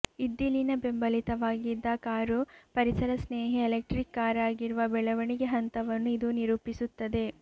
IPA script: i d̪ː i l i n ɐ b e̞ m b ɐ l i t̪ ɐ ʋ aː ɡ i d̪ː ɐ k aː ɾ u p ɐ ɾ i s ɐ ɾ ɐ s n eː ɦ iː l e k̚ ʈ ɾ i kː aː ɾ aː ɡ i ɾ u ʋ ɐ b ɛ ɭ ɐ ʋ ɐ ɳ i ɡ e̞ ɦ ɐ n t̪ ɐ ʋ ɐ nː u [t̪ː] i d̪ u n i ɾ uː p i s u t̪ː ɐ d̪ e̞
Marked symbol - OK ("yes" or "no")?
no